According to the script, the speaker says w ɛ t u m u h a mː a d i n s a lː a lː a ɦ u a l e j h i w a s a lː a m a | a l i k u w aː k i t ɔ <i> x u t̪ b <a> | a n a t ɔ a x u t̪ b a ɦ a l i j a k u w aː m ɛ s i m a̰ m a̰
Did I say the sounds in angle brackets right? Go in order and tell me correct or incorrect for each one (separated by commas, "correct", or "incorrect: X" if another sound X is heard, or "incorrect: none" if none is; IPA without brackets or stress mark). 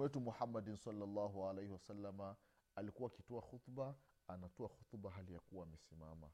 incorrect: a, correct